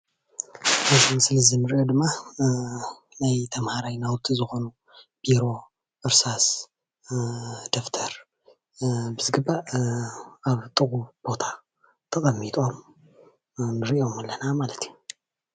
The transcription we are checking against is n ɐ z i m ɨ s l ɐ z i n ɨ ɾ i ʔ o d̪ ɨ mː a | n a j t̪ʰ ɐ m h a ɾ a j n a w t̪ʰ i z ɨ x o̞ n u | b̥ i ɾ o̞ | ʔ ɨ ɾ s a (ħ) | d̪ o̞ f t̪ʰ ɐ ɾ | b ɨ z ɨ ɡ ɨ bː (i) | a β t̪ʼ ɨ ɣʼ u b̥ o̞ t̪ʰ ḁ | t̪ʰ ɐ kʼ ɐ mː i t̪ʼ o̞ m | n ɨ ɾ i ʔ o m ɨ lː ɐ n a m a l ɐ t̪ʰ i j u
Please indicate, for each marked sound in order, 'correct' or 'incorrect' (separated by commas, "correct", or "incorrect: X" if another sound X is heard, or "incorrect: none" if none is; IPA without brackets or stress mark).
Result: incorrect: s, incorrect: a